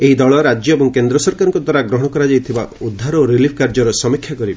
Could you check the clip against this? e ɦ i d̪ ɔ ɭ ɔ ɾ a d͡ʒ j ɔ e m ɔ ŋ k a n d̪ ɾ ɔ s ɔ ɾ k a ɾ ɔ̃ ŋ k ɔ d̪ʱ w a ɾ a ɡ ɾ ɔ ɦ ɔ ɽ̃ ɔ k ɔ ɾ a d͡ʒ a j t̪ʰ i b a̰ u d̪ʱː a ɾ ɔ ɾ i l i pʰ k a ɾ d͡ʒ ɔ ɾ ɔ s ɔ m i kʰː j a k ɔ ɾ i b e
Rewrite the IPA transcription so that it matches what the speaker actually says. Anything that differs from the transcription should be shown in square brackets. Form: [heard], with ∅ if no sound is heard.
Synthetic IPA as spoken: e ɦ i d̪ ɔ ɭ ɔ ɾ a d͡ʒ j ɔ e [b] ɔ ŋ k [e] n d̪ ɾ ɔ s ɔ ɾ k a ɾ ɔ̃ ŋ k ɔ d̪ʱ w a ɾ a ɡ ɾ ɔ ɦ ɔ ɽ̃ ɔ k ɔ ɾ a d͡ʒ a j t̪ʰ i b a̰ u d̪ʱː a ɾ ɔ ɾ i l i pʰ k a ɾ d͡ʒ ɔ ɾ ɔ s ɔ m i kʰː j a k ɔ ɾ i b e